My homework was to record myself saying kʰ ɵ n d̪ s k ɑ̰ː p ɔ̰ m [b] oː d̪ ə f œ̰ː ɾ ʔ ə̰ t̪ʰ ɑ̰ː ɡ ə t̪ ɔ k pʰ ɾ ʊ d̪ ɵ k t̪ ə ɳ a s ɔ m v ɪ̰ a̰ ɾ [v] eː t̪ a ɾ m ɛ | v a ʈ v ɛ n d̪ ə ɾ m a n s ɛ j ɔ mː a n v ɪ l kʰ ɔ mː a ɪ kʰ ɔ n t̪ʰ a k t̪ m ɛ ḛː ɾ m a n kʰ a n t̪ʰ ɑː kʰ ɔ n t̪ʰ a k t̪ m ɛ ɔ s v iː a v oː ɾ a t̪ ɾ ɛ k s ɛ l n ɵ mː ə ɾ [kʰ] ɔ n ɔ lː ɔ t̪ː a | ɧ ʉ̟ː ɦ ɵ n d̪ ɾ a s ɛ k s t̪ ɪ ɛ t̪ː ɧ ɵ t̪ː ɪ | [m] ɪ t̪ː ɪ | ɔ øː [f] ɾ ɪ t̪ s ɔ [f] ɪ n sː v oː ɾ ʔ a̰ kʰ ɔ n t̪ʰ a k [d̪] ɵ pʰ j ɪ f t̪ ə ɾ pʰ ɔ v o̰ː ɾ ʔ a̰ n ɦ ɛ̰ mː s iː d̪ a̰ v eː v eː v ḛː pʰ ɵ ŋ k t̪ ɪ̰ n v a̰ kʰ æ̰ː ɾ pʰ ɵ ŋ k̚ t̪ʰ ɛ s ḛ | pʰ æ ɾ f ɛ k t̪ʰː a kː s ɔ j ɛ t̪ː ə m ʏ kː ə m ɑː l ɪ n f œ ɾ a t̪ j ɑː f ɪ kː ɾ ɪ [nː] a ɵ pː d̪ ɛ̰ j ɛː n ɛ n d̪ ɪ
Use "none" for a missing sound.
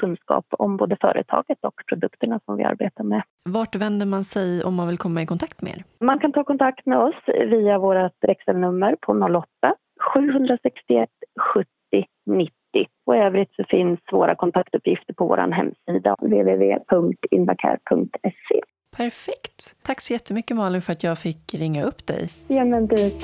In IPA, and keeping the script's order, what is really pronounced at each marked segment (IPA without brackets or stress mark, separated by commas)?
b, b, pʰ, n, v, f, t̪, ŋː